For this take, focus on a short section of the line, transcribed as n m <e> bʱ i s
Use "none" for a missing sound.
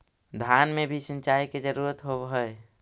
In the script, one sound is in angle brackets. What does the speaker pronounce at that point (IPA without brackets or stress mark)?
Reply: e